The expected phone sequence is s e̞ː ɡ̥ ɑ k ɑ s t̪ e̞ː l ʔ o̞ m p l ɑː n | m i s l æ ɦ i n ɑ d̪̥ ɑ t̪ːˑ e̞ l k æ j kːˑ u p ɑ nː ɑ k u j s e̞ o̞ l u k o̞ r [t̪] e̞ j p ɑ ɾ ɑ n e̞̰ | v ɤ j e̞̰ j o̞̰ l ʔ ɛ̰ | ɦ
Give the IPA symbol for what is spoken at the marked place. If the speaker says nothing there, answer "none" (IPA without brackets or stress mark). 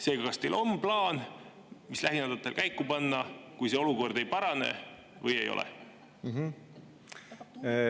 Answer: d̪